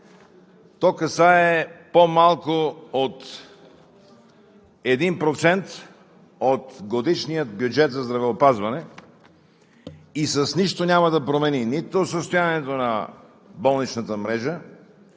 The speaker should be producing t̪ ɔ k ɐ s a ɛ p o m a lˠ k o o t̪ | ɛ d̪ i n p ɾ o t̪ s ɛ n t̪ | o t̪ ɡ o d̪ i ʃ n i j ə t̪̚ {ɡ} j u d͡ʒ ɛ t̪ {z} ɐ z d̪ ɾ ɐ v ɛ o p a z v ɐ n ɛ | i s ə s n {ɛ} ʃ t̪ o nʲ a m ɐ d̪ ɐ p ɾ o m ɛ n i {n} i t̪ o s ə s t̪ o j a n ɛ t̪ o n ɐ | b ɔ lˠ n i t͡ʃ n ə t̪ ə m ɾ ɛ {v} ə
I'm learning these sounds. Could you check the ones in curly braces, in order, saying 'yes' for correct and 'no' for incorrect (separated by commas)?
no, yes, no, yes, no